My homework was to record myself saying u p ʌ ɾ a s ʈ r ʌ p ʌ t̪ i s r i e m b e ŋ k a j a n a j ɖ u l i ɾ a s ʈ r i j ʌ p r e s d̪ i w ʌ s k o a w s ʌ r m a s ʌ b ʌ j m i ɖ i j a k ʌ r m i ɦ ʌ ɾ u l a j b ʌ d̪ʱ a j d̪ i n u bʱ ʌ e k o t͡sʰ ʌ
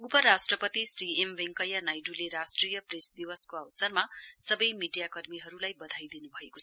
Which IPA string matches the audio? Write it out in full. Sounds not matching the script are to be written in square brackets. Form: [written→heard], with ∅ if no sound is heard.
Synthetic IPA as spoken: u p ʌ ɾ a s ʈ r ʌ p ʌ t̪ i s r i e m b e ŋ k [a→ʌ] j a n a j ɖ u l [i→e] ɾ a s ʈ r i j ʌ p r e s d̪ i w ʌ s k o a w s ʌ r m a s ʌ b ʌ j m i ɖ i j a k ʌ r m i ɦ ʌ ɾ u l a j b ʌ d̪ʱ a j d̪ i n u bʱ ʌ e k o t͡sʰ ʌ